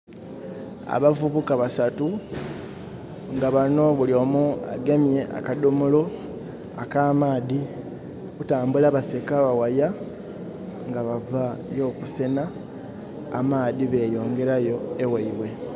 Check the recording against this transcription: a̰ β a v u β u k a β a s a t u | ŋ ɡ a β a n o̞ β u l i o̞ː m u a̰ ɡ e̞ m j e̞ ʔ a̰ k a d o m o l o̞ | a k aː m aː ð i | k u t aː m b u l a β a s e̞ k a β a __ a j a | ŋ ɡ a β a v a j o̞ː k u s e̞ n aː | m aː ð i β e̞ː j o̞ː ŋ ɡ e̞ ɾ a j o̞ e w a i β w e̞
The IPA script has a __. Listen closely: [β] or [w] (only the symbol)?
w